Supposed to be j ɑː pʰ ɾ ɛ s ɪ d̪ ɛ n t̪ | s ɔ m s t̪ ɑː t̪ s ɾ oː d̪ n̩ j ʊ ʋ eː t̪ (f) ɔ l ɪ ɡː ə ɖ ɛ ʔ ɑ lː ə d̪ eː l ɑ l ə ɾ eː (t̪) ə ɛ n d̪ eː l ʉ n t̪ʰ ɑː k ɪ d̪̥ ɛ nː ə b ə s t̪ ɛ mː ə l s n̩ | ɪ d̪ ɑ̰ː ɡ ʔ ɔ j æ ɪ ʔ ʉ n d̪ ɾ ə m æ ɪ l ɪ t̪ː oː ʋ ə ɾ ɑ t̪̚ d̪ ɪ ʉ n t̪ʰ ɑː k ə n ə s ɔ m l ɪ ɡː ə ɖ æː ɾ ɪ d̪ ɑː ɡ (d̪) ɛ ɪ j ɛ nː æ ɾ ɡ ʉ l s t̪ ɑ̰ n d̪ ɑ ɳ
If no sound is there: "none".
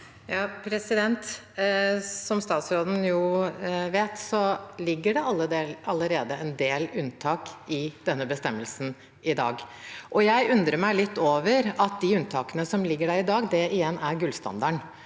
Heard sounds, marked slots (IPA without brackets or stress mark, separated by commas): s, d̪, d̪